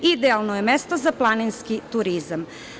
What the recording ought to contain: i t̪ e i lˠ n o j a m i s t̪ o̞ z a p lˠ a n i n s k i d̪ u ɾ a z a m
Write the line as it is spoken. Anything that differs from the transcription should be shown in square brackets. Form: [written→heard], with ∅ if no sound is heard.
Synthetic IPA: i [t̪→d̪] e [i→a] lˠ n o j [a→e] m [i→e] s t̪ o̞ z a p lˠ a n i n s k i [d̪→t̪] u ɾ [a→i] z a m